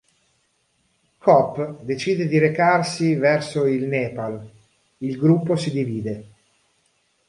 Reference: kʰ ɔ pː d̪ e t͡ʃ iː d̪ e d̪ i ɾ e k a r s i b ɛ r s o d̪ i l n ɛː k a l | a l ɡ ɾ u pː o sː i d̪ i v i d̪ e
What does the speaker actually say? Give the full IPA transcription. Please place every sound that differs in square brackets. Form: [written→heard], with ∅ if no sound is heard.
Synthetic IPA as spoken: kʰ ɔ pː d̪ e t͡ʃ iː d̪ e d̪ i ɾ e k a r s i [b→v] ɛ r s o [d̪→∅] i l n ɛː [k→p] a l | [a→i] l ɡ ɾ u pː o [sː→s] i d̪ i v [i→iː] d̪ e